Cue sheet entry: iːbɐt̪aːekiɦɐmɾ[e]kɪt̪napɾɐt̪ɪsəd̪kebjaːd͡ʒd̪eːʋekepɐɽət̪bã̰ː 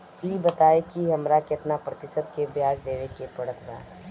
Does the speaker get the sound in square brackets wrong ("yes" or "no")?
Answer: yes